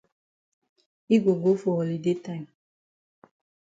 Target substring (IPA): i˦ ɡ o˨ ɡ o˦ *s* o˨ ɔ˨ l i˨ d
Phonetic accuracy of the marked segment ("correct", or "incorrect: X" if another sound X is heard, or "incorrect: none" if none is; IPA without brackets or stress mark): incorrect: f